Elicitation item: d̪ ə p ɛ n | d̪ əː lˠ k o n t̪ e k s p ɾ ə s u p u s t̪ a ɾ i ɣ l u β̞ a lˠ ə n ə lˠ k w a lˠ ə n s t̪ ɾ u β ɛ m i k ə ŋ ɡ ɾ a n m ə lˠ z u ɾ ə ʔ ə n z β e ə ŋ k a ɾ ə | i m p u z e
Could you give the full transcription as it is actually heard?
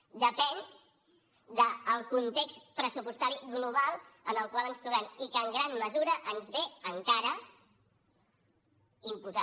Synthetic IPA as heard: d̪ ə p ɛ n | d̪ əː lˠ k u n t̪ e k s p ɾ ə s u p u s t̪ a ɾ i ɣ l u β̞ a lˠ ə n ə lˠ k w a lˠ ə n s t̪ ɾ u β ɛ m i k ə ŋ ɡ ɾ a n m ə z u ɾ ə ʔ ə n z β e ə ŋ k a ɾ ə | i m p u z a